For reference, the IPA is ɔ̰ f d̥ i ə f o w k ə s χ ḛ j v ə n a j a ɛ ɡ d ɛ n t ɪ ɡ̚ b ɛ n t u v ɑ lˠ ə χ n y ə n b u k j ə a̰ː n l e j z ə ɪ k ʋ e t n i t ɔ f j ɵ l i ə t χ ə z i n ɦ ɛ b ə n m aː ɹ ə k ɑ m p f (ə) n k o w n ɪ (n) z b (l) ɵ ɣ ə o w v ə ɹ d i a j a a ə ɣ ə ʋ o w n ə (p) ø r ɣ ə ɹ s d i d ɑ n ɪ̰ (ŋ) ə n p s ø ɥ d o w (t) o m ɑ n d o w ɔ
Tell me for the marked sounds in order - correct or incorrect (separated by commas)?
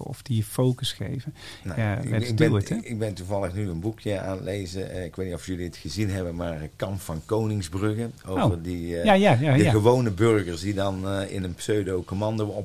incorrect, incorrect, incorrect, incorrect, incorrect, incorrect